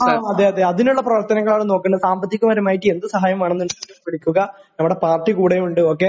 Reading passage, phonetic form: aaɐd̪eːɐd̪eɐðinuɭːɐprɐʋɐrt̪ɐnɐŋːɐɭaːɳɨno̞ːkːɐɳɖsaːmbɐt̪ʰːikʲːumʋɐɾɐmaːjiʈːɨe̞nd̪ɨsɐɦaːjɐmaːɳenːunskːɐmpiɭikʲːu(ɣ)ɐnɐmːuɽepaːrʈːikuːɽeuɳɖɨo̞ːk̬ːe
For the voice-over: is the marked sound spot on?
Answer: yes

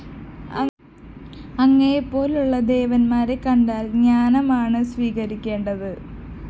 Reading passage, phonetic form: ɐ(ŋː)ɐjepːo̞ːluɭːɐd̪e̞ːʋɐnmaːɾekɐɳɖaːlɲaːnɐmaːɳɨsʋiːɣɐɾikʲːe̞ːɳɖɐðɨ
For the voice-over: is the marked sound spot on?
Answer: yes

